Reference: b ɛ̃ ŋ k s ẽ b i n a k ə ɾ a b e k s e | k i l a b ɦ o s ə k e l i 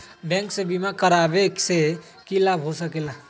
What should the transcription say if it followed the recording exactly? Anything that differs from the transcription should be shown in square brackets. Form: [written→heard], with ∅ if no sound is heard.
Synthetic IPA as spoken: b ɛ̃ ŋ k s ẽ b i [n→m] a k ə ɾ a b e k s e | k i l a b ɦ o s ə k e l [i→a]